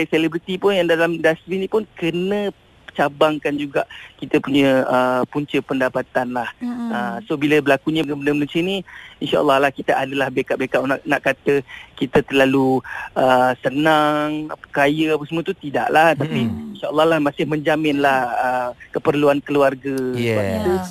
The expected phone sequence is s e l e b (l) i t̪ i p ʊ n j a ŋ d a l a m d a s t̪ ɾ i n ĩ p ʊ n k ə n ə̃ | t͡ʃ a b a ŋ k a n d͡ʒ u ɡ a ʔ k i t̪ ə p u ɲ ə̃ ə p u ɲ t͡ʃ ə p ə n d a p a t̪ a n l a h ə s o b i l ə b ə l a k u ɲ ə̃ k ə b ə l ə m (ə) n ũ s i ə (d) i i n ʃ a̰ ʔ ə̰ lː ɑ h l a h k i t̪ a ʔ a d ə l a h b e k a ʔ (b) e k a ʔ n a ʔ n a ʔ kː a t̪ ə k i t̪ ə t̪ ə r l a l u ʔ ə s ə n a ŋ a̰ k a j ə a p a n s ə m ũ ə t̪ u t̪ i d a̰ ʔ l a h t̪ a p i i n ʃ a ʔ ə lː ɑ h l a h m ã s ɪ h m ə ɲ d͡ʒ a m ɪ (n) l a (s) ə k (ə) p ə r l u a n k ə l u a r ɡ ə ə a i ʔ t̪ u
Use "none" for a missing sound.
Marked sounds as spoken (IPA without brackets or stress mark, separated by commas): ɾ, ə, n, b, n, h, ə